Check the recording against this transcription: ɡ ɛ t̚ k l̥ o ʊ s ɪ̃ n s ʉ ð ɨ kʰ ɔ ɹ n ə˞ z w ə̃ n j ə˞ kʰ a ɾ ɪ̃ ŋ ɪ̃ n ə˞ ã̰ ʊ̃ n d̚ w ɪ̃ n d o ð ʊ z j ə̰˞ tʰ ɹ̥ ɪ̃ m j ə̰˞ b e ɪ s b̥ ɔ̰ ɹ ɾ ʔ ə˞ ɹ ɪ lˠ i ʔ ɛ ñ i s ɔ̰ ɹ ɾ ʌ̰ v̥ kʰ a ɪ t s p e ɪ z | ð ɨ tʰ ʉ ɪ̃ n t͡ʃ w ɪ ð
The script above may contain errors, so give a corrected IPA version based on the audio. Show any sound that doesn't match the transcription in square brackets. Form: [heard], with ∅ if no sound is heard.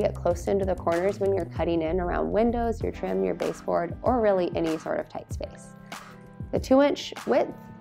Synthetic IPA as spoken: ɡ ɛ t̚ [kʰ] l̥ o ʊ s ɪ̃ n [t] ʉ ð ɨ kʰ ɔ ɹ n ə˞ z w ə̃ n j ə˞ kʰ [ʌ] ɾ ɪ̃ ŋ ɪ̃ n ə˞ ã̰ ʊ̃ n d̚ w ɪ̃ n d o [∅] ʊ z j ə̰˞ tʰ ɹ̥ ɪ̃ m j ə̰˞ b e ɪ s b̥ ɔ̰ ɹ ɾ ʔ ə˞ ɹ ɪ lˠ i ʔ ɛ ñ i s ɔ̰ ɹ ɾ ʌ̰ v̥ [tʰ] a ɪ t s p e ɪ [s] | ð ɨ tʰ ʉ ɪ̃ n t͡ʃ w ɪ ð